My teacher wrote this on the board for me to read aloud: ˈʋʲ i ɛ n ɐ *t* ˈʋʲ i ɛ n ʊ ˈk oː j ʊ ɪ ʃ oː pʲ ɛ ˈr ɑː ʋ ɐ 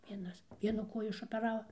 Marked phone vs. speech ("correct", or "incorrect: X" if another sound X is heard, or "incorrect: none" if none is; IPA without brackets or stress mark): incorrect: s